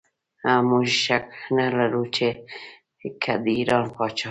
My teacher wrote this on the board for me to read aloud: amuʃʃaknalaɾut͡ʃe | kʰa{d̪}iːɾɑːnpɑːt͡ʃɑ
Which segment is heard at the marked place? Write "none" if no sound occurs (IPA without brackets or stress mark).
d̪